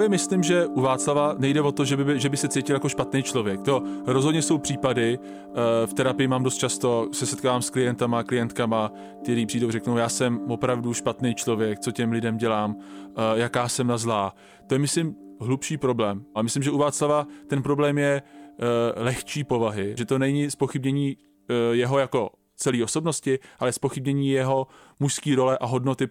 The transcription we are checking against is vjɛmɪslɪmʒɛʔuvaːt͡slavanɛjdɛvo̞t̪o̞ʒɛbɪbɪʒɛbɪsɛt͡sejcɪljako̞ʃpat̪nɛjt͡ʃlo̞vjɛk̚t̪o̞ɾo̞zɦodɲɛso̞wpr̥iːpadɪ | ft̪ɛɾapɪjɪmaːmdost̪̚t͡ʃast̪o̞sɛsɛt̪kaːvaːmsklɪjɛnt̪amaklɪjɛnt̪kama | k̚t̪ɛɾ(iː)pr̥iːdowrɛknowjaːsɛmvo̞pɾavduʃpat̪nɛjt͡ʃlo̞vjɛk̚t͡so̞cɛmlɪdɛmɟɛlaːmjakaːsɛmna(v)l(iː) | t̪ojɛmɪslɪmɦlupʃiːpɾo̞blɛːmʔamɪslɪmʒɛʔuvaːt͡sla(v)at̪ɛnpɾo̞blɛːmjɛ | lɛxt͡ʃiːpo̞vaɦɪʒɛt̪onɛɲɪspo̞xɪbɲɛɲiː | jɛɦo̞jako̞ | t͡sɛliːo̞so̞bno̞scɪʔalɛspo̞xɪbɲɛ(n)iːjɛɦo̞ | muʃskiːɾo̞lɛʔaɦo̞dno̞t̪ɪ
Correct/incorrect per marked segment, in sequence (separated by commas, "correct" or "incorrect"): correct, incorrect, incorrect, correct, incorrect